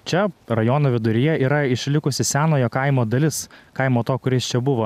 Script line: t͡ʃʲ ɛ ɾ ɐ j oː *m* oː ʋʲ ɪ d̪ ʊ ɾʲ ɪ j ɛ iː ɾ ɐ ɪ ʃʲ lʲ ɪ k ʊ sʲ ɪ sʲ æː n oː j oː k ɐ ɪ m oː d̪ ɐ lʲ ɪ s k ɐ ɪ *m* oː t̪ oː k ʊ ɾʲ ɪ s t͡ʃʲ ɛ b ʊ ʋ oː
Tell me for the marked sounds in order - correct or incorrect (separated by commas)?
incorrect, correct